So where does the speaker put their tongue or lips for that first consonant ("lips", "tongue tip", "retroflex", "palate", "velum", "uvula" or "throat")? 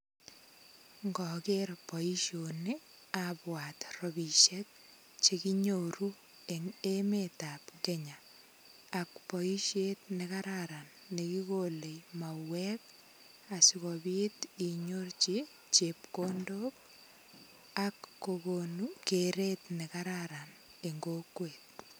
velum